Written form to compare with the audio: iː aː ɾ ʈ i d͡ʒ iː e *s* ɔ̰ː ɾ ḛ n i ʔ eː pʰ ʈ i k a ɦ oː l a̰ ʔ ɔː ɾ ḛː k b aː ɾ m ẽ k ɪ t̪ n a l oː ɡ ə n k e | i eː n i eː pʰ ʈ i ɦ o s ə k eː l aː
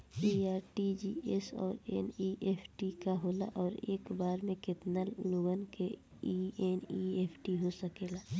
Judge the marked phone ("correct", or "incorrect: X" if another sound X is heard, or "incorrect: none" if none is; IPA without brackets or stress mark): correct